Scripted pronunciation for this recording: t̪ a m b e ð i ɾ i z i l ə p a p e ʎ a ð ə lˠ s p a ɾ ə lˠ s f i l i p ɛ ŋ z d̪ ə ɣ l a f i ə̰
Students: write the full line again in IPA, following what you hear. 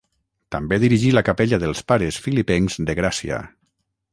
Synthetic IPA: t̪ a m b e ð i ɾ i ʒ i l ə k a p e ʎ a ð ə lˠ s p a ɾ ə s f i l i p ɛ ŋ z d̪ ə ɣ ɾ a s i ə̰